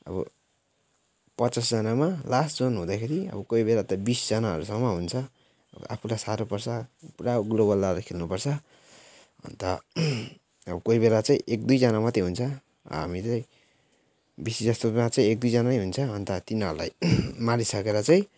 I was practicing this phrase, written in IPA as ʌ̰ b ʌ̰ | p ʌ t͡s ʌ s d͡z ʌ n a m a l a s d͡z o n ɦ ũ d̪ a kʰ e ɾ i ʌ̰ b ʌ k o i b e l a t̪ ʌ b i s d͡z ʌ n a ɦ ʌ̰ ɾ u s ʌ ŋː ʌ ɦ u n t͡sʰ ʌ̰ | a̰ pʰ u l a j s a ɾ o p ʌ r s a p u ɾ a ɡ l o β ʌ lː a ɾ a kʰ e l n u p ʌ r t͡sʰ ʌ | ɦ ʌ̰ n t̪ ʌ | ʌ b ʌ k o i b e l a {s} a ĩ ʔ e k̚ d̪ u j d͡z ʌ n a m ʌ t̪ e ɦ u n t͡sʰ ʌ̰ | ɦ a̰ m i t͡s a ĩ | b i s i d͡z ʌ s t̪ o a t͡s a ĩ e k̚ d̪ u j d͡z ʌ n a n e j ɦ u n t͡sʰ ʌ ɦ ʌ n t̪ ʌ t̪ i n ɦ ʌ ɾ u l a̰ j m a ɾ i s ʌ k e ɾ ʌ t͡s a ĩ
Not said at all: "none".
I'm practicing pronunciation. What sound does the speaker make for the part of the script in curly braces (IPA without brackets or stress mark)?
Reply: t͡s